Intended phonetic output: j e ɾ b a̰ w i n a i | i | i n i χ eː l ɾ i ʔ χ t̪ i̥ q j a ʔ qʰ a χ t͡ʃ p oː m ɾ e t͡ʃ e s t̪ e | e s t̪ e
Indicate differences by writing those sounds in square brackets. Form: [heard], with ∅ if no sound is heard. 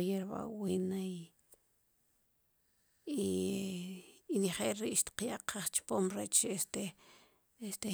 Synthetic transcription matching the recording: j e ɾ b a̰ w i n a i | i | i n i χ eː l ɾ i ʔ [ʃ] t̪ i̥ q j a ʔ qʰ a χ t͡ʃ p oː m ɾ e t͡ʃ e s t̪ e | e s t̪ e